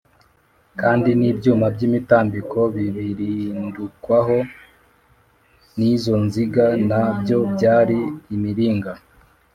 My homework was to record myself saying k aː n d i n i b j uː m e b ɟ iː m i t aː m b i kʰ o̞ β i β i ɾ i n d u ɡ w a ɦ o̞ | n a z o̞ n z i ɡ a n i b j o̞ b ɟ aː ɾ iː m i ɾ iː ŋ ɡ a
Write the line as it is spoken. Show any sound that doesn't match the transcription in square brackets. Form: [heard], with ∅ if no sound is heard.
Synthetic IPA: k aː n d i n i b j uː m [a] b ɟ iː m i t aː m b i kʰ o̞ β i β i ɾ i n d u [k] w a ɦ o̞ | n [i] z o̞ n z i ɡ a n [a] b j o̞ b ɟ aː ɾ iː m i ɾ iː ŋ ɡ a